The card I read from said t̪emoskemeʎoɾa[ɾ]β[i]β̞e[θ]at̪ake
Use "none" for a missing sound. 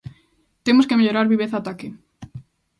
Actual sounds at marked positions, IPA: ɾ, i, θ

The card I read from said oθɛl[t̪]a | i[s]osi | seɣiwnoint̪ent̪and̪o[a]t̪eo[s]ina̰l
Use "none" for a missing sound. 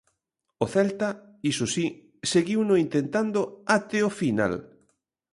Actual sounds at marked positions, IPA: t̪, s, a, f

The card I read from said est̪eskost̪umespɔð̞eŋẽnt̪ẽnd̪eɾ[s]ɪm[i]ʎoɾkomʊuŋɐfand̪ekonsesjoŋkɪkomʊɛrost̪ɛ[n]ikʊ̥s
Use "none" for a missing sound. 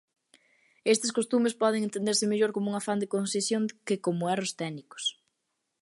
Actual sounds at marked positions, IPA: s, e, n

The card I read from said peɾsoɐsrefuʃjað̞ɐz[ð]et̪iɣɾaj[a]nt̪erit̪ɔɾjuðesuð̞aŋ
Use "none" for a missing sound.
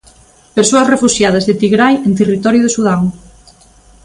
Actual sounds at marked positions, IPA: ð, e

